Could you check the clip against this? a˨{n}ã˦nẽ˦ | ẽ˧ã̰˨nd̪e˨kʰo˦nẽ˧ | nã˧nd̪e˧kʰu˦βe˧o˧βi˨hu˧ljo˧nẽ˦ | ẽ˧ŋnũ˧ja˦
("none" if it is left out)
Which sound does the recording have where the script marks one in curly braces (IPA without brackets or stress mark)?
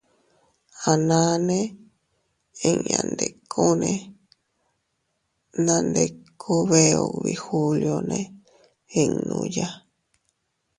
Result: n